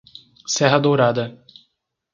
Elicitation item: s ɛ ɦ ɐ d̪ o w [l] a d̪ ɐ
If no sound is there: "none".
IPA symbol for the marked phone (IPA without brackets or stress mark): ɾ